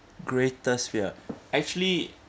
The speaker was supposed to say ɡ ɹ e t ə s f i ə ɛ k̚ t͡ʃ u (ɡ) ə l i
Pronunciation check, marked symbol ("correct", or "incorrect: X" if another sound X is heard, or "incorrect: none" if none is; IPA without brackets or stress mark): incorrect: none